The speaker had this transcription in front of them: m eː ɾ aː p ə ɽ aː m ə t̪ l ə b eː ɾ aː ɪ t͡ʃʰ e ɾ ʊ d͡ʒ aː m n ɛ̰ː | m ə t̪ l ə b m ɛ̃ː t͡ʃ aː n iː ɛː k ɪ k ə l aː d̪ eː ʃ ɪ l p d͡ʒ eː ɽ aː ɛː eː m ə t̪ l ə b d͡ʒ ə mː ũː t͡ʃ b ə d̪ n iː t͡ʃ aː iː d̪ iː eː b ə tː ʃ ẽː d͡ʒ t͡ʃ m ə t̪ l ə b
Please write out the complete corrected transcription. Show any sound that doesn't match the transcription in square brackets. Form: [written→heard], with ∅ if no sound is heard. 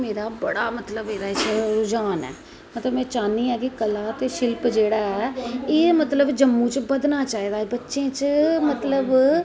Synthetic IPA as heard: m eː ɾ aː [p→b] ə ɽ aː m ə t̪ l ə b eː ɾ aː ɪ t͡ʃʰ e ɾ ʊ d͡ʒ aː [m→∅] n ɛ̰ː | m ə t̪ l ə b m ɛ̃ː t͡ʃ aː n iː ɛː k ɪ k ə l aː [d̪→t̪] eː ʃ ɪ l p d͡ʒ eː ɽ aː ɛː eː m ə t̪ l ə b d͡ʒ ə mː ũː t͡ʃ b ə d̪ n [iː→aː] t͡ʃ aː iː d̪ [iː→aː] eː b ə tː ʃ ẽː [d͡ʒ→∅] t͡ʃ m ə t̪ l ə b